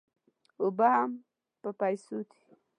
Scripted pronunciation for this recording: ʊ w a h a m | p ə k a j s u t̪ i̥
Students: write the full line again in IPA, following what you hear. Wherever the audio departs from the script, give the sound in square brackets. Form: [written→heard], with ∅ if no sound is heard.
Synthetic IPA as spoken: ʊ [w→b] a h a m | p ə [k→p] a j s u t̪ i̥